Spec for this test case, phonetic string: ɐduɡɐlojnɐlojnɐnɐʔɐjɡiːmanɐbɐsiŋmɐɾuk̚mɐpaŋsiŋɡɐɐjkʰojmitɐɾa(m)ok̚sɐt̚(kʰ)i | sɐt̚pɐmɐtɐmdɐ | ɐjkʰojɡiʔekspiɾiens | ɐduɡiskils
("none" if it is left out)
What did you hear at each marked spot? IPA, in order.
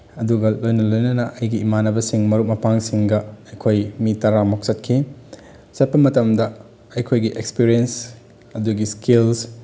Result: m, kʰ

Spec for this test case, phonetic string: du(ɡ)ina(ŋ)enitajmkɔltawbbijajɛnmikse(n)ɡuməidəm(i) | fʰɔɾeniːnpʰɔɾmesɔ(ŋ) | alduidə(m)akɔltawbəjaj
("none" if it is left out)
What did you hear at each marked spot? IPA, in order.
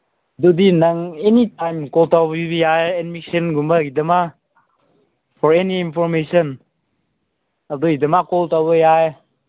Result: d, ŋ, n, a, n, m

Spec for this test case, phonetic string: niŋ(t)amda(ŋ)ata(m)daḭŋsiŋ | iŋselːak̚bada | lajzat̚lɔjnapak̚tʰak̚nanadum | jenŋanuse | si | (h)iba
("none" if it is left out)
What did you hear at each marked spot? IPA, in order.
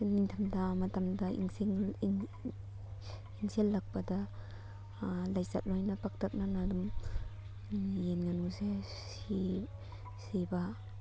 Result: tʰ, m, m, s

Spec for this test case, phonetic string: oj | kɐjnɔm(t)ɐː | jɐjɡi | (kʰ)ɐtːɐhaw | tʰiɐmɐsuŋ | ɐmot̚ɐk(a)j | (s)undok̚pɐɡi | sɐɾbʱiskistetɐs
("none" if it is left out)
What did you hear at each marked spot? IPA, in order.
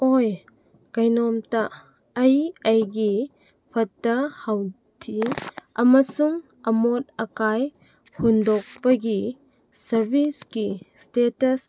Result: t, pʰ, a, h

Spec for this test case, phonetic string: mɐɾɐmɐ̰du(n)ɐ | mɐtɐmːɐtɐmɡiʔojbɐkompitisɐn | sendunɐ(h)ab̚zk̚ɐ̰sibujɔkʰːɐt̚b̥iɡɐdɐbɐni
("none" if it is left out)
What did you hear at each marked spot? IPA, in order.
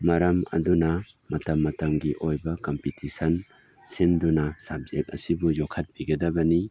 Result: n, s

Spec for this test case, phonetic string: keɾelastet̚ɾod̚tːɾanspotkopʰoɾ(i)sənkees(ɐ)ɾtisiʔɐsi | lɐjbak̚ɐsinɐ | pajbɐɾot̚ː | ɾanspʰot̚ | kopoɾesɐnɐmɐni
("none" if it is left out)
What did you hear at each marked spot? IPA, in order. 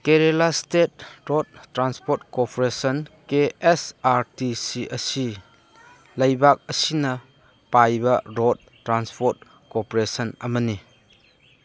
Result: e, a

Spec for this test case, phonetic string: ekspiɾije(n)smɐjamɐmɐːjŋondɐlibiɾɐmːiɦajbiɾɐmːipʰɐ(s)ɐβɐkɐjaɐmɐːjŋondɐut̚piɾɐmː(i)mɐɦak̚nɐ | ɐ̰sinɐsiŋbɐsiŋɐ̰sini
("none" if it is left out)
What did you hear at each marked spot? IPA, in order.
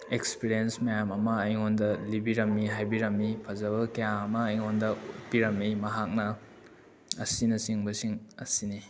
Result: n, z, i

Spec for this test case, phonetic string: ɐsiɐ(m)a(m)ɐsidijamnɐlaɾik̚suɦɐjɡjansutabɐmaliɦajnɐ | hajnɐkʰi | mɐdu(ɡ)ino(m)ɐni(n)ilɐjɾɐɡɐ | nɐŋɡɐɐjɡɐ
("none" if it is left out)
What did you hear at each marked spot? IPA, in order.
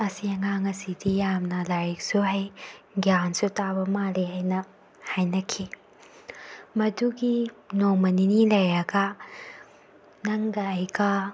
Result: ŋ, ŋ, ɡ, m, n

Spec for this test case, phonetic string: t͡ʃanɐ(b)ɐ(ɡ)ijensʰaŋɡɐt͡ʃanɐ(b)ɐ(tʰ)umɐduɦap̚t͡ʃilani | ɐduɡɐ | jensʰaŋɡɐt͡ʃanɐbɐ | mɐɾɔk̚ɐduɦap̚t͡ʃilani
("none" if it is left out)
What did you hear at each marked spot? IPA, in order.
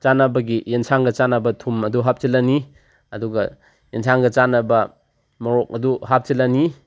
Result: b, ɡ, b, tʰ

